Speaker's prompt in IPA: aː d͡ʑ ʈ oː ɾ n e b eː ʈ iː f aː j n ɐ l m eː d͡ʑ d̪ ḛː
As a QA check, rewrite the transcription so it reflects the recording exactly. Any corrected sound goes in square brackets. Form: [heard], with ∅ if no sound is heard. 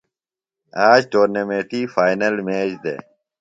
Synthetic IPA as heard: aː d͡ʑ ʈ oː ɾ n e [m] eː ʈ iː f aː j n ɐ l m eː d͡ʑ d̪ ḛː

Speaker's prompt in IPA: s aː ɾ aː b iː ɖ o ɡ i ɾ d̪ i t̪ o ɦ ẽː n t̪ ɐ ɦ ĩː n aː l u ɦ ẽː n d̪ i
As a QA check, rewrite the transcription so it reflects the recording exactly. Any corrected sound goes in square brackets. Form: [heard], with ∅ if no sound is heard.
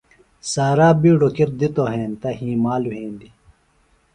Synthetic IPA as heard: s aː ɾ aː b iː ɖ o [k] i ɾ d̪ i t̪ o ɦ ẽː n t̪ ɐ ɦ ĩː [m] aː l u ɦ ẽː n d̪ i

